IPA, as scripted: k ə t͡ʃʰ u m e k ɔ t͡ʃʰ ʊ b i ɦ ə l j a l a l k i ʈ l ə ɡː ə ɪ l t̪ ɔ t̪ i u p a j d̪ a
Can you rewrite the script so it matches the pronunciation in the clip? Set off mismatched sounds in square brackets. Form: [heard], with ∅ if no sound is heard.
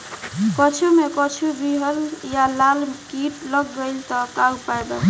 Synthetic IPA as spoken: k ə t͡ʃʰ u m e k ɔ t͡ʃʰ [u] b i ɦ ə l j a l a l k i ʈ l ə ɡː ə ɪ l t̪ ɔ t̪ [a] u p a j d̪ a